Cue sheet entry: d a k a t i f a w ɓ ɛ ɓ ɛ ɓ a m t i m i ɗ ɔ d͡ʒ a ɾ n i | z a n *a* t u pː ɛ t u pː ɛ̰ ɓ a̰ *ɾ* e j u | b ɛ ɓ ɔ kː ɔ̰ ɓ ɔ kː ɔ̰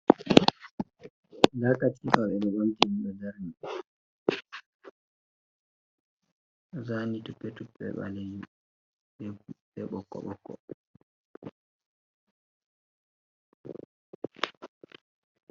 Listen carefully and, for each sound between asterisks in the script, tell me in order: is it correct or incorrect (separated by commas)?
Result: incorrect, incorrect